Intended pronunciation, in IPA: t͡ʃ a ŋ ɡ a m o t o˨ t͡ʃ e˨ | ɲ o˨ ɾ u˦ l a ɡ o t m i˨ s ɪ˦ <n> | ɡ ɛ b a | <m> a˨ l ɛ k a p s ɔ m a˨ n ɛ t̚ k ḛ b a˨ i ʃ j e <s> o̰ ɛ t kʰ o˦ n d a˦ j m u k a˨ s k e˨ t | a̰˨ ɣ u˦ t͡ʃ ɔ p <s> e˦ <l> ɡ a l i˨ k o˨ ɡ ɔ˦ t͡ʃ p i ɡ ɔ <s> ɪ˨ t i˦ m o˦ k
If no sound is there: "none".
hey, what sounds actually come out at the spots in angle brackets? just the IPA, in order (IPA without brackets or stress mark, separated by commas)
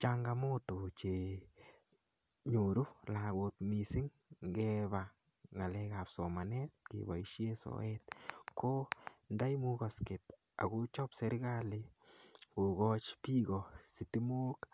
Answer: ŋ, ŋ, s, s, ɾ, s